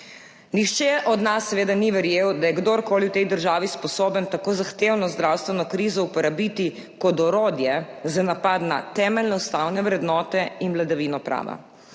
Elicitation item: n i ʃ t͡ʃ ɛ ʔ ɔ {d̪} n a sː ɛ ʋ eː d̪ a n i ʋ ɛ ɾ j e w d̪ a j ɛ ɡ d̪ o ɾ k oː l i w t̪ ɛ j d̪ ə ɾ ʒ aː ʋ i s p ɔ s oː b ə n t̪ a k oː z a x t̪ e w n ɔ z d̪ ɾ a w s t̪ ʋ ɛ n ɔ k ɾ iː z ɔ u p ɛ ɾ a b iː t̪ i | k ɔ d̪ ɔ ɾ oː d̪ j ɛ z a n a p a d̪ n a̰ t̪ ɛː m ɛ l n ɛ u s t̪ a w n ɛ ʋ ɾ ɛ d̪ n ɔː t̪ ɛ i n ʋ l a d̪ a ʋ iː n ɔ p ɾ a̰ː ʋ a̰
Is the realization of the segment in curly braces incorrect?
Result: no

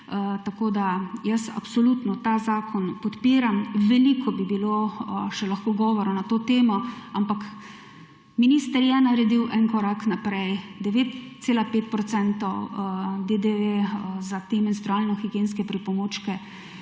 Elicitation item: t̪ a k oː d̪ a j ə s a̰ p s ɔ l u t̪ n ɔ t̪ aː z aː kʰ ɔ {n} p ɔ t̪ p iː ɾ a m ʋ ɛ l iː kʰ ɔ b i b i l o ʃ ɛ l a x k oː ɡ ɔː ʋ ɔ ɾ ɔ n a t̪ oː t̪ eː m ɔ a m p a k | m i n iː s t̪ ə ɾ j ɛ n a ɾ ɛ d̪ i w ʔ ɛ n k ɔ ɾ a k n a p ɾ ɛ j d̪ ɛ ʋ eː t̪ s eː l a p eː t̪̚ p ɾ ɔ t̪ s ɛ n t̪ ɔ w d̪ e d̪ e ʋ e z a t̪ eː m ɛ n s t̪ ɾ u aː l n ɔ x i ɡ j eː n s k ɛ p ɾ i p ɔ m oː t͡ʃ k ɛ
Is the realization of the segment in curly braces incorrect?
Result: no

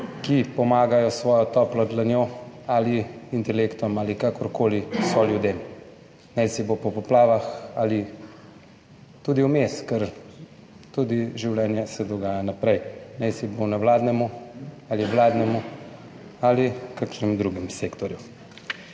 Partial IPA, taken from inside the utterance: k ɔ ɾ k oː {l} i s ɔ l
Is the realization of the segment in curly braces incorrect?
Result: no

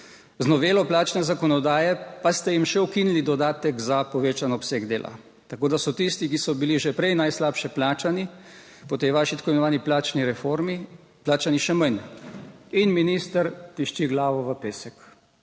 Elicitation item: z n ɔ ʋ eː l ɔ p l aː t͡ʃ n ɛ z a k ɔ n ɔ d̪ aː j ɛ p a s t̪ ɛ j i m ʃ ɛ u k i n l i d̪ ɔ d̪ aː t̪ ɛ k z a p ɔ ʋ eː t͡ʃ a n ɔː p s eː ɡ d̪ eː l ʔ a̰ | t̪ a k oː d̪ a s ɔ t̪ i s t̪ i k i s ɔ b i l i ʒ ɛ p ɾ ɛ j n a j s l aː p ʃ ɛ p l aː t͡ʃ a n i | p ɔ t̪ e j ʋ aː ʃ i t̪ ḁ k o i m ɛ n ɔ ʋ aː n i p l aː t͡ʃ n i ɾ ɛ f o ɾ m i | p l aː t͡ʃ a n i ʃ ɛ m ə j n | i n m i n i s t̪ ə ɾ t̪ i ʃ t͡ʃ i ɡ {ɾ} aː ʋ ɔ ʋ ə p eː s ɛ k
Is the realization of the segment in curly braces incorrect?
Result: yes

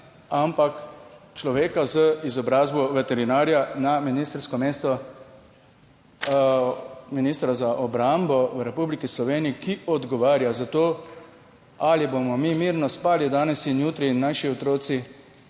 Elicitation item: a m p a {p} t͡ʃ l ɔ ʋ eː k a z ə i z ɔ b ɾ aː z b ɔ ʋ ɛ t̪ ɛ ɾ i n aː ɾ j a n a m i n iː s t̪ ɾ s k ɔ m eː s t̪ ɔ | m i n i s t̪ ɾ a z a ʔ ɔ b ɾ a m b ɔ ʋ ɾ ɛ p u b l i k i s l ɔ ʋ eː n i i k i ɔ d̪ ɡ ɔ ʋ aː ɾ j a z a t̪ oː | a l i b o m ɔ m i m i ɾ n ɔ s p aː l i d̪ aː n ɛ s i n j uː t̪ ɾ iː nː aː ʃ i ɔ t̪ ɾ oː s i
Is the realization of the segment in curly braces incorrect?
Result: yes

